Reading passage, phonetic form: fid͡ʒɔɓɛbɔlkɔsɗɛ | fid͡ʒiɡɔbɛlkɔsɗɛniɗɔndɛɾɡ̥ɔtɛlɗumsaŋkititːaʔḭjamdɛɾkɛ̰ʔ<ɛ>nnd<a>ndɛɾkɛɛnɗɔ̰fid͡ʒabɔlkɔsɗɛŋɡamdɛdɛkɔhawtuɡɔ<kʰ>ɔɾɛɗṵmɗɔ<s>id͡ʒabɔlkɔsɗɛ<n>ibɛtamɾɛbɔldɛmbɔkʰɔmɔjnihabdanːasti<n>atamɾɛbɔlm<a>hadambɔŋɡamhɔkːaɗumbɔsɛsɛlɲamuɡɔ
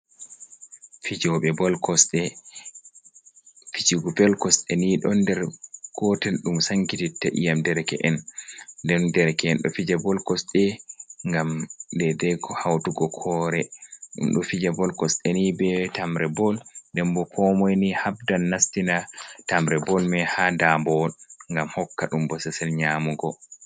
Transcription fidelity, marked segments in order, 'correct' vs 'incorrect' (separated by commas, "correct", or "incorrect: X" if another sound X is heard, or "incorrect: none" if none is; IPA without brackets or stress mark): correct, incorrect: ɛ, correct, incorrect: f, correct, correct, incorrect: ɛ